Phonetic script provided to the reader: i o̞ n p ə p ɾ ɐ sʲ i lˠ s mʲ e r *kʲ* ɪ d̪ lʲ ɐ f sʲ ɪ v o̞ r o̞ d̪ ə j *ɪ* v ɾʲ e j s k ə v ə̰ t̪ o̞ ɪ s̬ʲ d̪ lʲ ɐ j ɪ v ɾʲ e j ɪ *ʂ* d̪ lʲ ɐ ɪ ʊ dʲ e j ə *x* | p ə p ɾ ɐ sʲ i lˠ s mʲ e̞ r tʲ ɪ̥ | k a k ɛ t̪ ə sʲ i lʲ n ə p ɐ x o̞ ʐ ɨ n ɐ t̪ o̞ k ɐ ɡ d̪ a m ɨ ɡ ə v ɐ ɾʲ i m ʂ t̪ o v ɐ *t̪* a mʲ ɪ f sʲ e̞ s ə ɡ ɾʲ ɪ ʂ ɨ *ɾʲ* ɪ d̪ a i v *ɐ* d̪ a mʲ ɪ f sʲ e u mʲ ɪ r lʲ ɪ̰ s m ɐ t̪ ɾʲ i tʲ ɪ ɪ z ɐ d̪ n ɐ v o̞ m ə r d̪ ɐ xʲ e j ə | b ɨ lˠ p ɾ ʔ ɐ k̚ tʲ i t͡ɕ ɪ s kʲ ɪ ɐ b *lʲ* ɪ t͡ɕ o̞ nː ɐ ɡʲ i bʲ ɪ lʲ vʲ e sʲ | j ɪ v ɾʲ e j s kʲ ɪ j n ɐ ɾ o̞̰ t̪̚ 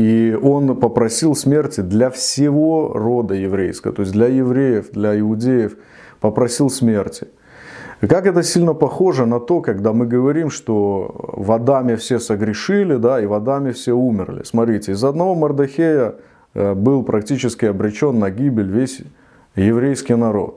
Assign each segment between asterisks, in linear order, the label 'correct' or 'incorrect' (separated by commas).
incorrect, correct, incorrect, incorrect, incorrect, incorrect, correct, incorrect